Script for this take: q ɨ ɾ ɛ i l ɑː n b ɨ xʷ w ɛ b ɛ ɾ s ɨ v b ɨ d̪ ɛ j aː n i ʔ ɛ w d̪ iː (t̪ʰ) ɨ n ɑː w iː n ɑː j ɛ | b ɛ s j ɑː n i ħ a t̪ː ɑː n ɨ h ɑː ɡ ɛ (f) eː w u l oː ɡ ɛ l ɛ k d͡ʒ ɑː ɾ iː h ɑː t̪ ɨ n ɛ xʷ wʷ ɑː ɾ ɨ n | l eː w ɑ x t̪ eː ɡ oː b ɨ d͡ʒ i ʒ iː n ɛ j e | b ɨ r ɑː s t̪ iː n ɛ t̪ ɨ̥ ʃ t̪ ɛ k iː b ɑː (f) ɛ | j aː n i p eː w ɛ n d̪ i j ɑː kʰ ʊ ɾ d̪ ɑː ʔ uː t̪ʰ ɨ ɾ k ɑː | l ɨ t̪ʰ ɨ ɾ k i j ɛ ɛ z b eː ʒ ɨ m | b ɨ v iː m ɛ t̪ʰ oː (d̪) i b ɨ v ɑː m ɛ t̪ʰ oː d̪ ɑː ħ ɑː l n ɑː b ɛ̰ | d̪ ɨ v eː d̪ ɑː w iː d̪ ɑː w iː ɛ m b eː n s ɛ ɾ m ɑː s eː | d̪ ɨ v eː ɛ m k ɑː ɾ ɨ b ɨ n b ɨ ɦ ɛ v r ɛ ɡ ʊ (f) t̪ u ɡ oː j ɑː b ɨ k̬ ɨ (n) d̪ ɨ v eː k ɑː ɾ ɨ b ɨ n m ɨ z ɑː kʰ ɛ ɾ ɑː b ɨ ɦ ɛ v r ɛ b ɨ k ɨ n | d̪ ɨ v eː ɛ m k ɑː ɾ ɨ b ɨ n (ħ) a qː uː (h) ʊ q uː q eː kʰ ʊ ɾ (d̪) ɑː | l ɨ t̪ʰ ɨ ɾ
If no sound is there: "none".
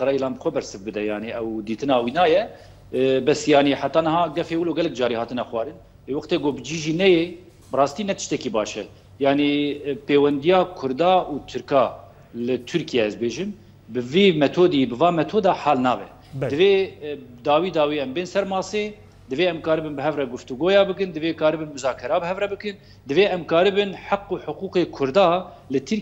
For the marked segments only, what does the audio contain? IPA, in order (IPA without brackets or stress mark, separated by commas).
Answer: t̪, f, ʃ, d̪, f, n, ħ, ħ, d̪